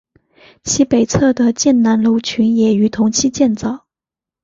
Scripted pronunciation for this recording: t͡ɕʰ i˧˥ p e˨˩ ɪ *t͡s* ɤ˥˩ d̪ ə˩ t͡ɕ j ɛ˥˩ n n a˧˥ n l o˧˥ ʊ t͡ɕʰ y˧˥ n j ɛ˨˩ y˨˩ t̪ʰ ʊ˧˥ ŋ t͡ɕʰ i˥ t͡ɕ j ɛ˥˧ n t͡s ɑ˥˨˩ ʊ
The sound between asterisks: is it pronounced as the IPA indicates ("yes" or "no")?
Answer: no